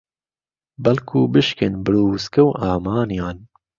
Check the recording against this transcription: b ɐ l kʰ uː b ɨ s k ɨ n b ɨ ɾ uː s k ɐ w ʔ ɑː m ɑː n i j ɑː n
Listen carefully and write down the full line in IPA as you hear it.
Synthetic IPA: b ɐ l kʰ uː b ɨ ʃ k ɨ n b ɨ ɾ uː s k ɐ w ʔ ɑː m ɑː n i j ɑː n